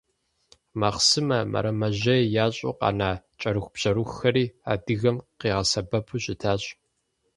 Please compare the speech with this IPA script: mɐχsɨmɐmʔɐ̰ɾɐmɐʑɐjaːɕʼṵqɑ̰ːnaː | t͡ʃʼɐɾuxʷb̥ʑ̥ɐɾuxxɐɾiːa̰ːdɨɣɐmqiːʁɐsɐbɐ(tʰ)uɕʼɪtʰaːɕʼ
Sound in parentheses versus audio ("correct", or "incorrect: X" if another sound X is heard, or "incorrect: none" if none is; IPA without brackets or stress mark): incorrect: pʰ